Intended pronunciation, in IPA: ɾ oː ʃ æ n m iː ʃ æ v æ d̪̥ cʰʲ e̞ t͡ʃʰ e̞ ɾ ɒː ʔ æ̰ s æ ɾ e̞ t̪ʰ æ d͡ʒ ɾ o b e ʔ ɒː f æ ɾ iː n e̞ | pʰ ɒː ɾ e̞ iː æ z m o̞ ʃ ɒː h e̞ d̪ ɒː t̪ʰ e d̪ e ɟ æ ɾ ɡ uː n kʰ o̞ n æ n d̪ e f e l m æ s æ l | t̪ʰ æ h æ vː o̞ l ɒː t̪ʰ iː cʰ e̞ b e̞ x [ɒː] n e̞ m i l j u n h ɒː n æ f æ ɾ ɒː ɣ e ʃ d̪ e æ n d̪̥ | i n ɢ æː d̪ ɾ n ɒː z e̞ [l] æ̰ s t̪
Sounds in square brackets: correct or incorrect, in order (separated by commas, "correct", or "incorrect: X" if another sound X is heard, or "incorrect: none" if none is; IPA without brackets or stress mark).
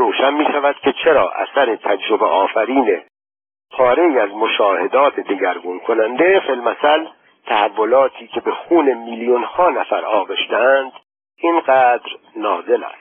incorrect: uː, correct